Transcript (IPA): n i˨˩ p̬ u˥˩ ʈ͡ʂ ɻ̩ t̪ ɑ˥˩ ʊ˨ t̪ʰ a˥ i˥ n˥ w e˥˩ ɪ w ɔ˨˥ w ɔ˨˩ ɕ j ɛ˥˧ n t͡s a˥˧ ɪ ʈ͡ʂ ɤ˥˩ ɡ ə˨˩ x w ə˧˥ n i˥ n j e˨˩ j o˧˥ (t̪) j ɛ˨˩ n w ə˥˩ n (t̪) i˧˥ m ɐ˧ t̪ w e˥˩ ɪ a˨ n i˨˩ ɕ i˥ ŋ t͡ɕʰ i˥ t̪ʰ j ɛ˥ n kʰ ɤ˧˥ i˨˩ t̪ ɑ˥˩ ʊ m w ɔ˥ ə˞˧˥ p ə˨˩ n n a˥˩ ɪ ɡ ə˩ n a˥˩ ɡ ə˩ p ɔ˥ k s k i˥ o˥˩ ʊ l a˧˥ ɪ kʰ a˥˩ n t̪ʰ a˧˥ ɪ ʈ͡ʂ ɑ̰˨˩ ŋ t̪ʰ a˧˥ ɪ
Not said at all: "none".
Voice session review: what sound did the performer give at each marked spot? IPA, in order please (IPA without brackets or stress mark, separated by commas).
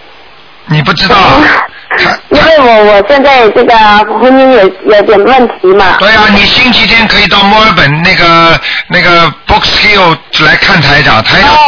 t̪, t̪ʰ